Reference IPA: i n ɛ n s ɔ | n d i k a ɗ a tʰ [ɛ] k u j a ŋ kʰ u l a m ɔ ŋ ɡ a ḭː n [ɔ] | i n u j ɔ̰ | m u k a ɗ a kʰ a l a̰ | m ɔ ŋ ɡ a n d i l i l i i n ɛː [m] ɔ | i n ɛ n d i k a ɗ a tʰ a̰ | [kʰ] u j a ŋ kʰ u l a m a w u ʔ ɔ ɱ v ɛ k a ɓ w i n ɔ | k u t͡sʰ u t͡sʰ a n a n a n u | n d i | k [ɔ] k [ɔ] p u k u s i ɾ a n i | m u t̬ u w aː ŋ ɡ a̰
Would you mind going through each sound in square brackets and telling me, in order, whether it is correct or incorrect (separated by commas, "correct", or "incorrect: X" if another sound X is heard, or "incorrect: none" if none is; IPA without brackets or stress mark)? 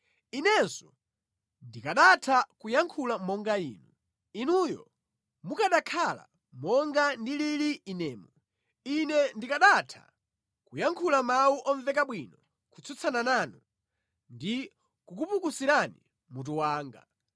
incorrect: a, incorrect: u, correct, incorrect: k, incorrect: u, incorrect: u